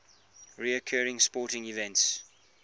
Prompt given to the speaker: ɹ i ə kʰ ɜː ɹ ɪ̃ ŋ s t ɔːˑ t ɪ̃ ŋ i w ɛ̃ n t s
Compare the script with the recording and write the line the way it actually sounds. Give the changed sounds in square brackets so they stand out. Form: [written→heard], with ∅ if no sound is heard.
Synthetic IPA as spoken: ɹ i ə kʰ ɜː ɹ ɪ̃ ŋ s [t→p] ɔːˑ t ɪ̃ ŋ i [w→v] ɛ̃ n t s